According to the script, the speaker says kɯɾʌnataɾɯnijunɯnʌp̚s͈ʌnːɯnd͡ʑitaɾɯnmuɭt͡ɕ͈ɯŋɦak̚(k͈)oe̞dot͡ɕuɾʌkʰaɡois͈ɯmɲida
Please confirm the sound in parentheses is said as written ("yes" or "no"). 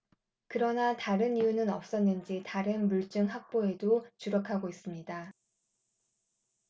no